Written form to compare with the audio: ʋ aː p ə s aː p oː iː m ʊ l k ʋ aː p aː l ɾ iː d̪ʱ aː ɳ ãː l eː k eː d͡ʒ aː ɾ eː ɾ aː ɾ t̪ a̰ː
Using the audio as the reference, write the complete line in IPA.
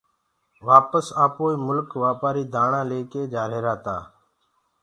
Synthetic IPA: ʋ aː p ə s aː p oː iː m ʊ l k ʋ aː p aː ɾ iː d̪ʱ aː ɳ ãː l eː k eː d͡ʒ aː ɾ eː ɾ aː t̪ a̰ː

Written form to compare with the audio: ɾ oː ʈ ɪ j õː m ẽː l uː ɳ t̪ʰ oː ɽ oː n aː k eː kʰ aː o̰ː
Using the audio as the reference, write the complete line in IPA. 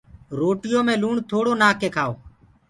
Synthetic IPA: ɾ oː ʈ ɪ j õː m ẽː l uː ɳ t̪ʰ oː ɽ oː n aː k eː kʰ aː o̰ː

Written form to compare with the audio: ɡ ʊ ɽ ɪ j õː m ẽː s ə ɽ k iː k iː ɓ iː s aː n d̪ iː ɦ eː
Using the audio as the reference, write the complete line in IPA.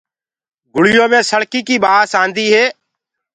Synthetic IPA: ɡ ʊ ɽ ɪ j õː m ẽː s ə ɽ k iː k iː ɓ aː s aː n d̪ iː ɦ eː

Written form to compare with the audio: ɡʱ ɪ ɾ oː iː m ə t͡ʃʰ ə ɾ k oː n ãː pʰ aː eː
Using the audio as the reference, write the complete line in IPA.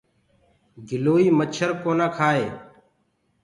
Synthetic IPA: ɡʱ ɪ l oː iː m ə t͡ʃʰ ə ɾ k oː n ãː kʰ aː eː

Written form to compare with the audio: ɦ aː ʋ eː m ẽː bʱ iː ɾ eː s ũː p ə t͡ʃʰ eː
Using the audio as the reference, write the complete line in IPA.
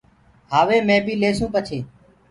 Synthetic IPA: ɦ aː ʋ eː m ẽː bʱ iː l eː s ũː p ə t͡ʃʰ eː

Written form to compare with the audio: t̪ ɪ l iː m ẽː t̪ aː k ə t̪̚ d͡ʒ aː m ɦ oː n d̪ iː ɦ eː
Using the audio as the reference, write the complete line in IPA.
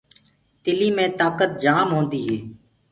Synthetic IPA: t̪ ɪ l iː m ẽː t̪ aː k ə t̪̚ d͡ʒ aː m ɦ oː n d̪ iː ɦ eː

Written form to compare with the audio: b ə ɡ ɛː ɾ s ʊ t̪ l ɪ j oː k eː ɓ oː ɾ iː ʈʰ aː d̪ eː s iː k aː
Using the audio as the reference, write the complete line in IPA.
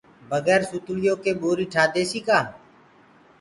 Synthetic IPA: b ə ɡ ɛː ɾ s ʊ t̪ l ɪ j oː k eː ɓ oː ɾ iː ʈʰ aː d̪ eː s iː k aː

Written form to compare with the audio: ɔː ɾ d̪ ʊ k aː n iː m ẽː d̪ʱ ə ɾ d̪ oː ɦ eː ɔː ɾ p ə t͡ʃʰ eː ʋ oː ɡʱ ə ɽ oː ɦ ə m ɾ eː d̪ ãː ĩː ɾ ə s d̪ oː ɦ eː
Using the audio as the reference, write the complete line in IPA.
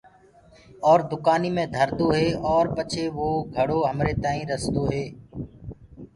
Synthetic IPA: ɔː ɾ d̪ ʊ k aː n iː m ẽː d̪ʱ ə ɾ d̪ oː ɦ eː ɔː ɾ p ə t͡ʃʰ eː ʋ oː ɡʱ ə ɽ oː ɦ ə m ɾ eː t̪ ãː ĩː ɾ ə s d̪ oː ɦ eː

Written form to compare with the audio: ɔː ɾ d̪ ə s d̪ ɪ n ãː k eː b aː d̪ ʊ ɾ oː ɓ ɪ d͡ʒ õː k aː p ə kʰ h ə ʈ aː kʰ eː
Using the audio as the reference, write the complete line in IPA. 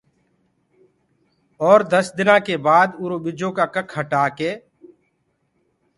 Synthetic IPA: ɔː ɾ d̪ ə s d̪ ɪ n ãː k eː b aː d̪ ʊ ɾ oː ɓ ɪ d͡ʒ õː k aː k ə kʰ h ə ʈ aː k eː

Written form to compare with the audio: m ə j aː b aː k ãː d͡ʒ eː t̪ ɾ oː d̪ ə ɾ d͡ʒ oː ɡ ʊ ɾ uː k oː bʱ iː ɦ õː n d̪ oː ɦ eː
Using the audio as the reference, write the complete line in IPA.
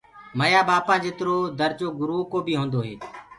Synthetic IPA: m ə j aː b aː p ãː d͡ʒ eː t̪ ɾ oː d̪ ə ɾ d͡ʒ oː ɡ ʊ ɾ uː k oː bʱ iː ɦ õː n d̪ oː ɦ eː

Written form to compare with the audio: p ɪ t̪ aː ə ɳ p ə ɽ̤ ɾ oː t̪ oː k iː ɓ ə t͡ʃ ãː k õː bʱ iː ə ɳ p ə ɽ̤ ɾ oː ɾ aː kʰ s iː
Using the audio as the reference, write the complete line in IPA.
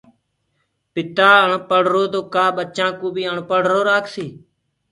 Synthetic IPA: p ɪ t̪ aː ə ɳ p ə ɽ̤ ɾ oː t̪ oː k aː ɓ ə t͡ʃ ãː k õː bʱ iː ə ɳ p ə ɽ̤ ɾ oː ɾ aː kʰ s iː

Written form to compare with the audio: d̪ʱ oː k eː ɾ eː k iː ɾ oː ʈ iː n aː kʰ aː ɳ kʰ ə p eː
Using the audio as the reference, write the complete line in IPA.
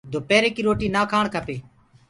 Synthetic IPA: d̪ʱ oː p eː ɾ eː k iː ɾ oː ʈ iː n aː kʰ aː ɳ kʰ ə p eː

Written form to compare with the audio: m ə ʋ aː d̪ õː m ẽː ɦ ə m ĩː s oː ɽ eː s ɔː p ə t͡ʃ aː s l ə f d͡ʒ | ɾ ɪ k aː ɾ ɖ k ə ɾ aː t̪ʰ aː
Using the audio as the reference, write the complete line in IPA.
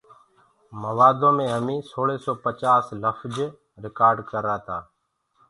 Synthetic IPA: m ə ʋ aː d̪ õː m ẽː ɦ ə m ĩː s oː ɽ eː s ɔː p ə t͡ʃ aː s l ə f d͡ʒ | ɾ ɪ k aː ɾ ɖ k ə ɾ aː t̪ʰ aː

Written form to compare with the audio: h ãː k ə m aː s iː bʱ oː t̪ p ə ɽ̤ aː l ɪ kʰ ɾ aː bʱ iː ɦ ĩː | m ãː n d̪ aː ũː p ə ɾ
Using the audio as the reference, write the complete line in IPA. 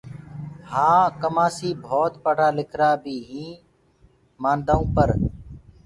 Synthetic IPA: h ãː k ə m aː s iː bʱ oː t̪ p ə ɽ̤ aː l ɪ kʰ ɾ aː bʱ iː ɦ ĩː | m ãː n d̪ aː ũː p ə ɾ

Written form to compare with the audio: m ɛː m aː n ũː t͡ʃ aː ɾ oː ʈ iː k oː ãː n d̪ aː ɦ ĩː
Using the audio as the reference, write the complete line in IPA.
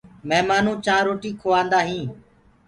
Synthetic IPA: m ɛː m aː n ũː t͡ʃ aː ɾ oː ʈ iː kʰ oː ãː n d̪ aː ɦ ĩː

